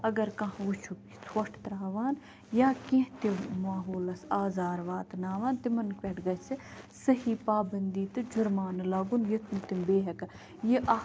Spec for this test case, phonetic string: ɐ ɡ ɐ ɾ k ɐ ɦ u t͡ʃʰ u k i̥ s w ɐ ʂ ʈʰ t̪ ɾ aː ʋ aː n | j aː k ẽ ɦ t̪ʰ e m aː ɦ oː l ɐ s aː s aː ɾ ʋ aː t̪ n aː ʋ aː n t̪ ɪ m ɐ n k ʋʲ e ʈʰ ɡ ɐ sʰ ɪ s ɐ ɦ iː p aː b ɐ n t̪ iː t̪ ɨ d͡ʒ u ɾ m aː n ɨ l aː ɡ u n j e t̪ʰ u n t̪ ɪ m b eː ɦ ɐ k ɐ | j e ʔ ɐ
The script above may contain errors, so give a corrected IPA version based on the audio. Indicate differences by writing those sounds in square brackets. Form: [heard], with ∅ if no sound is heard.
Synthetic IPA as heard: ɐ ɡ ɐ ɾ k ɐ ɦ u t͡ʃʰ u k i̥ s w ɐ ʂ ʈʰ t̪ ɾ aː ʋ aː n | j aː k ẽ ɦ [t̪] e m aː ɦ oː l ɐ s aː [z] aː ɾ ʋ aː t̪ n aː ʋ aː n t̪ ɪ m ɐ n k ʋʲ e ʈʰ ɡ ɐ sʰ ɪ s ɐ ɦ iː p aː b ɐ n [d̪] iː t̪ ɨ d͡ʒ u ɾ m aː n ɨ l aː ɡ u n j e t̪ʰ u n t̪ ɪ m b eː ɦ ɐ k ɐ | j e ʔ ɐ

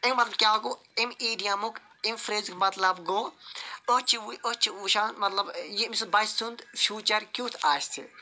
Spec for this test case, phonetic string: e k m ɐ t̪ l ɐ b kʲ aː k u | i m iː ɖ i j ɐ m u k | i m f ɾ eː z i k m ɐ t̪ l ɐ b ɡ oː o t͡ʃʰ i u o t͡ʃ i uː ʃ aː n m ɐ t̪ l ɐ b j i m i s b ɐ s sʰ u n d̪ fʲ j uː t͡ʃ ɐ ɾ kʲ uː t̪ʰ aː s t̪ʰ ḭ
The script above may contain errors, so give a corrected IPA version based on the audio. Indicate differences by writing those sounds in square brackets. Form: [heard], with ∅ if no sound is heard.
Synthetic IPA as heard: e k m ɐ t̪ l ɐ b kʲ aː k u | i m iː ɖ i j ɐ m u k | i m f ɾ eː z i k m ɐ t̪ l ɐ b ɡ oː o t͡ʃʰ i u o t͡ʃ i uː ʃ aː n m ɐ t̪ l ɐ b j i m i s b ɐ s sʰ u n d̪ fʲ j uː t͡ʃ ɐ ɾ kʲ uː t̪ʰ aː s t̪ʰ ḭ

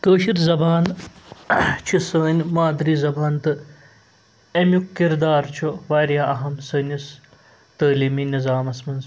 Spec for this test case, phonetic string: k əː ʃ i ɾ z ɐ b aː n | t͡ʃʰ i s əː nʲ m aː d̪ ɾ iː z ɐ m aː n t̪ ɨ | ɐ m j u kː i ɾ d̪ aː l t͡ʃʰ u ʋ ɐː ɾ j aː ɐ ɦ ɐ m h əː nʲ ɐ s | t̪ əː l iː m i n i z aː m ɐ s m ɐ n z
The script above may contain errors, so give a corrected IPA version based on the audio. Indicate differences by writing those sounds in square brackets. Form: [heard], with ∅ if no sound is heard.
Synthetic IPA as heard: k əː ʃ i ɾ z ɐ b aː n | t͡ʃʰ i s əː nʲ m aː d̪ ɾ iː z ɐ [b] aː n t̪ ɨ | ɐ m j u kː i ɾ d̪ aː [ɾ] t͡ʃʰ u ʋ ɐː ɾ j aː ɐ ɦ ɐ m [s] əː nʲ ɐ s | t̪ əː l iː m i n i z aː m ɐ s m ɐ n z

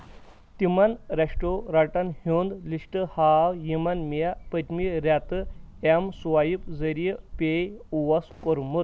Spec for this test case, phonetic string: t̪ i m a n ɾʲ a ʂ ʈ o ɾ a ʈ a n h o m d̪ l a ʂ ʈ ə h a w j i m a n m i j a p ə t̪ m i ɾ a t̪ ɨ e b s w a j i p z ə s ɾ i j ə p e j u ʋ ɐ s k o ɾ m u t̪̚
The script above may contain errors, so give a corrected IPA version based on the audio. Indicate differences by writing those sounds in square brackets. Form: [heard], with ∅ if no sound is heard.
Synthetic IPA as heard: t̪ i m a n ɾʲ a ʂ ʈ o ɾ a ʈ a n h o [n] d̪ l [i] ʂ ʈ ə h a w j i m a n m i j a p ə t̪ m i ɾ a t̪ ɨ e [m] s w a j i p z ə [∅] ɾ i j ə p e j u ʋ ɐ s k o ɾ m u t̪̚

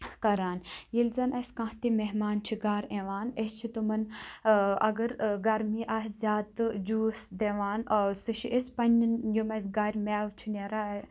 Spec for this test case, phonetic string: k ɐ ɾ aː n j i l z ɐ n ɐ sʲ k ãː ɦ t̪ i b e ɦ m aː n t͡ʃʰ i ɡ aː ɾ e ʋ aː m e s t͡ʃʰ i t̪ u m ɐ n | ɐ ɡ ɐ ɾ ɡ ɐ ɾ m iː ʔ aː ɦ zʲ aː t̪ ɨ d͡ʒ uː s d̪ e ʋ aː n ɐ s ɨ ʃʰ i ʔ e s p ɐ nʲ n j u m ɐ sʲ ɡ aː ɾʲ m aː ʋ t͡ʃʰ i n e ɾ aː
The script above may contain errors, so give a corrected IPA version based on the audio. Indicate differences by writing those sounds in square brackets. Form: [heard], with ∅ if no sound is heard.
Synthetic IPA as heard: k ɐ ɾ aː n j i l z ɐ n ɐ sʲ k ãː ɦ t̪ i [m] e ɦ m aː n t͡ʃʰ i ɡ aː ɾ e ʋ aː [n] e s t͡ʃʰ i t̪ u m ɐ n | ɐ ɡ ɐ ɾ ɡ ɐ ɾ m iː ʔ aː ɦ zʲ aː t̪ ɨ d͡ʒ uː s d̪ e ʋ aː n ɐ s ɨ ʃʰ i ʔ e s p ɐ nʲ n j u m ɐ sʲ ɡ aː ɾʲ m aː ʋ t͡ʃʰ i n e ɾ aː

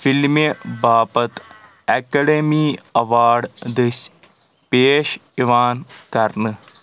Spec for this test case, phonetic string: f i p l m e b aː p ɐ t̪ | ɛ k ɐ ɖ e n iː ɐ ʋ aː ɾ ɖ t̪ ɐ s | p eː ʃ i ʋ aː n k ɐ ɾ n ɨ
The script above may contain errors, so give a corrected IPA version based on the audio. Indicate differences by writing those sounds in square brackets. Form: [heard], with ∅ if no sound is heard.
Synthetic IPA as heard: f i [∅] l m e b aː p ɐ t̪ | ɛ k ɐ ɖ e [m] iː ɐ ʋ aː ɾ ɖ [d̪] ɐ s | p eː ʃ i ʋ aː n k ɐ ɾ n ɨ

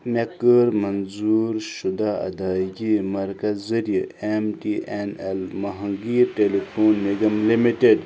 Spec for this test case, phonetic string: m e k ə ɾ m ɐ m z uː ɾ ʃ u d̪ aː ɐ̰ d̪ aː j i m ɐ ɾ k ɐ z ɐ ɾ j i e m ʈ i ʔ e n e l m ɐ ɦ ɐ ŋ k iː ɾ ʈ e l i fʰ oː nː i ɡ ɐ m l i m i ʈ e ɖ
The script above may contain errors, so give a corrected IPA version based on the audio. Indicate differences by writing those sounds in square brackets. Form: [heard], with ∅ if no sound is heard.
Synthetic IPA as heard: m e k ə ɾ m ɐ [n] z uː ɾ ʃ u d̪ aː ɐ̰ d̪ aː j i m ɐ ɾ k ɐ z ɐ ɾ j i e m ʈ i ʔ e n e l m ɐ ɦ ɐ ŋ [ɡ] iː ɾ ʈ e l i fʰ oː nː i ɡ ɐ m l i m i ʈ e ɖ

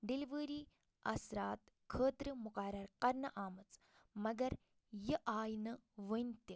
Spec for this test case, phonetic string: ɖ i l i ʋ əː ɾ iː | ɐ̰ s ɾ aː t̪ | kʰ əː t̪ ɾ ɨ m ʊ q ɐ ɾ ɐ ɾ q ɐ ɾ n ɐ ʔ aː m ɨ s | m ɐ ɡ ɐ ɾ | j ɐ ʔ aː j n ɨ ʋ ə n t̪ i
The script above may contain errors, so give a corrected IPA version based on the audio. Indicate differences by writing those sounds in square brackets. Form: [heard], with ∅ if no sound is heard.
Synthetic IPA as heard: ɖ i l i ʋ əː ɾ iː | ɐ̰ s ɾ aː t̪ | kʰ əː t̪ ɾ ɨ m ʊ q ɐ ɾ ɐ ɾ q ɐ ɾ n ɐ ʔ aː m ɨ [t͡s] | m ɐ ɡ ɐ ɾ | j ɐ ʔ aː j n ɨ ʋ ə n t̪ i

